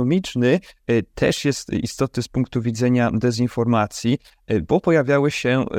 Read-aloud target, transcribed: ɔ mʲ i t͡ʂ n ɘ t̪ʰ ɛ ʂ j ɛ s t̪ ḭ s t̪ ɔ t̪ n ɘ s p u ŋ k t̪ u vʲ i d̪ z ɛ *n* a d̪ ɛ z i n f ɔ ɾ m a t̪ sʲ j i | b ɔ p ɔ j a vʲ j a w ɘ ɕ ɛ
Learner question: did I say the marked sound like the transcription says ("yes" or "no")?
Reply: no